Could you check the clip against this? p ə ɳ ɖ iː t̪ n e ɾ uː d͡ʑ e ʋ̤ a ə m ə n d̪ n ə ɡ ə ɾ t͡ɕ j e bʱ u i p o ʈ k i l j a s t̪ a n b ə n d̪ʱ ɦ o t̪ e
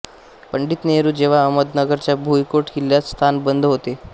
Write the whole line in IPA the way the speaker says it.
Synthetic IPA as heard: p ə ɳ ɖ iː t̪ n e ɾ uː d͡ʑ e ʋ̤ a ə m ə d̪ n ə ɡ ə ɾ t͡ɕ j a bʱ u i k o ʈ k i l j a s t̪ʰ a n b ə n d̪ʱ ɦ o t̪ e